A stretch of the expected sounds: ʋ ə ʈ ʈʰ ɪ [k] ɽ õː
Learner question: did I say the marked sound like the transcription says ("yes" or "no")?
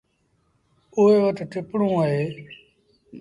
no